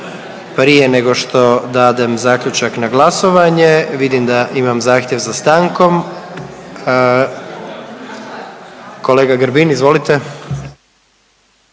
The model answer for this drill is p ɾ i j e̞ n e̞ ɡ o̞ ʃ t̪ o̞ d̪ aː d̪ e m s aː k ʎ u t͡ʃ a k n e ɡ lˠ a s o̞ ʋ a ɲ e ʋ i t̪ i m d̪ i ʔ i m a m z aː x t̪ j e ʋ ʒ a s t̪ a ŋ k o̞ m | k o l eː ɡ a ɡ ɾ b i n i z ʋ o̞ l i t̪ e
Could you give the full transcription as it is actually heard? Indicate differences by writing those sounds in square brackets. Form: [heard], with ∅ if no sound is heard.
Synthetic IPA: p ɾ i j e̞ n e̞ ɡ o̞ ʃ t̪ o̞ d̪ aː d̪ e m [z] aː k ʎ u t͡ʃ a k n [a] ɡ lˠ a s o̞ ʋ a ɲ e ʋ i [d̪] i m d̪ [a] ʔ i m a m z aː x t̪ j e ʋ [z] a s t̪ a ŋ k o̞ m | k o l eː ɡ a ɡ ɾ b i n i z ʋ o̞ l i t̪ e